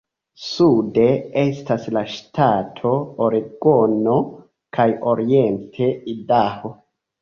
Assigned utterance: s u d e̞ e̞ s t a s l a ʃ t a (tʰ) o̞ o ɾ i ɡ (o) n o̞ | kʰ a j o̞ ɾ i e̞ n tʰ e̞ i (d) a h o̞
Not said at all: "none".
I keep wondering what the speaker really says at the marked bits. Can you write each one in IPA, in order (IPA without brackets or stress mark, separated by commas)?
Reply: tʰ, o, d